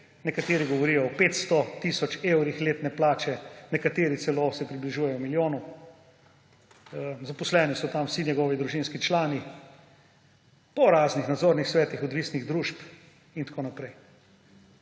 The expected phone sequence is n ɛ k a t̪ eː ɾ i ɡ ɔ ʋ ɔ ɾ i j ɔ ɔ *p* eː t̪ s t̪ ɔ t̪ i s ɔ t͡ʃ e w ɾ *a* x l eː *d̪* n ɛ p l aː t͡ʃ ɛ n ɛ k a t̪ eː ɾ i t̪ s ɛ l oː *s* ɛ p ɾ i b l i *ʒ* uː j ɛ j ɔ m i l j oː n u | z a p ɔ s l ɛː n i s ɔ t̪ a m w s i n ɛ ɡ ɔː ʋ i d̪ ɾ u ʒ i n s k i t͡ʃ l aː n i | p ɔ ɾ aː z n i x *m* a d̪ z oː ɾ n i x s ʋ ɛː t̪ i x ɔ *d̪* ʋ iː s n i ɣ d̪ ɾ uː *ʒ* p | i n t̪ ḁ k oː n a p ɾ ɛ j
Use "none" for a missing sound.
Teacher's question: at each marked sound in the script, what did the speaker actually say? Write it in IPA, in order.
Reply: p, i, t̪, s, ʒ, n, d̪, ʃ

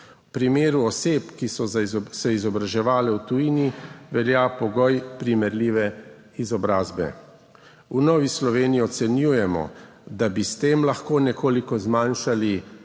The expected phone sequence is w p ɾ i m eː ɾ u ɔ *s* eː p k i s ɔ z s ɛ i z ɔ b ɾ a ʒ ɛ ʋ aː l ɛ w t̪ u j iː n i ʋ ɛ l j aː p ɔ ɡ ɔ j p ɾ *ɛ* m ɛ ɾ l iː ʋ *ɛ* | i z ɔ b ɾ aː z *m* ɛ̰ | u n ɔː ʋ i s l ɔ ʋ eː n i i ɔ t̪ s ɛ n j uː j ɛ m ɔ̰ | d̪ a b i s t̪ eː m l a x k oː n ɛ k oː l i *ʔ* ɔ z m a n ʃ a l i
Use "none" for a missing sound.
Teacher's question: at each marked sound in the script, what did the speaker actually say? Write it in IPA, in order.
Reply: s, i, ɛ, b, k

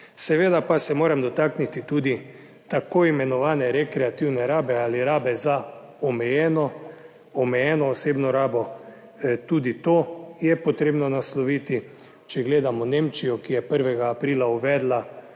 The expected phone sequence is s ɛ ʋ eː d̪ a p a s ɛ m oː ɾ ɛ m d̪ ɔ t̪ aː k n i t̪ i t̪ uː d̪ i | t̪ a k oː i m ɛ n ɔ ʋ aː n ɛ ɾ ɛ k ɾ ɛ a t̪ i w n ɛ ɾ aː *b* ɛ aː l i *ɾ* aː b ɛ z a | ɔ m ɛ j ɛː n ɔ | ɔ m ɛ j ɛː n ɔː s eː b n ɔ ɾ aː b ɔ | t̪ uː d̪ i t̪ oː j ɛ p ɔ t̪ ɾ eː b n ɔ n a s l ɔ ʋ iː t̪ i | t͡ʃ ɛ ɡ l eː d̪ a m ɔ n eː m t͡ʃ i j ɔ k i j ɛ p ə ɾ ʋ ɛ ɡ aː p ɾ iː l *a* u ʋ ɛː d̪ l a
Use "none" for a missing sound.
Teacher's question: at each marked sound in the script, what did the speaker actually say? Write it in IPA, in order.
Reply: b, ɾ, a

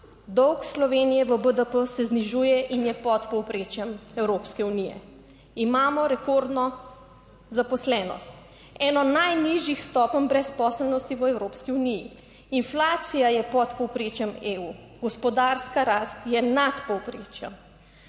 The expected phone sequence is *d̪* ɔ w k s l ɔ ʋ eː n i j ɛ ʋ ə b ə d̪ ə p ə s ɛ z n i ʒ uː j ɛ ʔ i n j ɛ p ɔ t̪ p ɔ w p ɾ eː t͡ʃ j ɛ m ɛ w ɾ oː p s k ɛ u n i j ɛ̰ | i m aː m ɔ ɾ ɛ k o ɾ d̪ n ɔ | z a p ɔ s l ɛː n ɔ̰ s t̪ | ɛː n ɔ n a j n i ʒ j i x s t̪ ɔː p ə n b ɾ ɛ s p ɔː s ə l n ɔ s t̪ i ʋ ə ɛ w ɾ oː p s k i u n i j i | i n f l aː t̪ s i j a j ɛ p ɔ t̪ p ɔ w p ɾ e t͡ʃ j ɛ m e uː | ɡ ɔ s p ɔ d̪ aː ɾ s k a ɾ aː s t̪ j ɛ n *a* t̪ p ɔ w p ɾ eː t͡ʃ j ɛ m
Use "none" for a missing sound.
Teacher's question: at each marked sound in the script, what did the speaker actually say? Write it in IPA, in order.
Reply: d̪, a

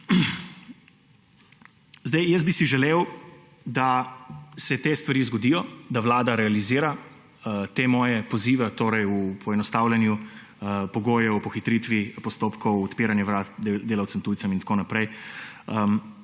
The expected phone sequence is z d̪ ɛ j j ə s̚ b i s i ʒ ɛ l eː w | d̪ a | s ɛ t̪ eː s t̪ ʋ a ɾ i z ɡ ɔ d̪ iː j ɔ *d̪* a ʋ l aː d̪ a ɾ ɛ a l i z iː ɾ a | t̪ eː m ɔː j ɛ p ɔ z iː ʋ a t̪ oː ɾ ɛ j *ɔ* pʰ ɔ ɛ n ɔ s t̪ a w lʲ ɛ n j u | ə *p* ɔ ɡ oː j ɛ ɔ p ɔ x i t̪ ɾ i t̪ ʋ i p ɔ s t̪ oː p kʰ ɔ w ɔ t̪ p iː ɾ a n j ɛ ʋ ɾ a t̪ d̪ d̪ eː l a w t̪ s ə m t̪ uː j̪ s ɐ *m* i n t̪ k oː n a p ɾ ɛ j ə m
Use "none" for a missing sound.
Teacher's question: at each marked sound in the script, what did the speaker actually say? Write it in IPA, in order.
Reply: d̪, u, p, m

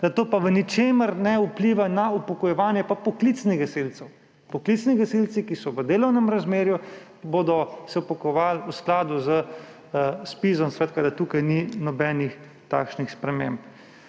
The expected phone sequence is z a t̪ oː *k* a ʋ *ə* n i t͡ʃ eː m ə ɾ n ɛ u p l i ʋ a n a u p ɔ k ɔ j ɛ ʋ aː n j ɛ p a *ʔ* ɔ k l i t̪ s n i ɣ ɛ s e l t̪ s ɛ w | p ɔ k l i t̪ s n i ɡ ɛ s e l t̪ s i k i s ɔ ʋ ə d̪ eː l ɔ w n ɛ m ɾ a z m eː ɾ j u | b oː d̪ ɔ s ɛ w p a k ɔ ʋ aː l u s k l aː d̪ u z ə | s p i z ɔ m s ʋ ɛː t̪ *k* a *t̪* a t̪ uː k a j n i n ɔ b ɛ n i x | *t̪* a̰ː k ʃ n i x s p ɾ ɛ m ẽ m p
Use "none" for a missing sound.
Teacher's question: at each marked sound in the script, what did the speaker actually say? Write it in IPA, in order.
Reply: p, ə, p, k, d̪, t̪

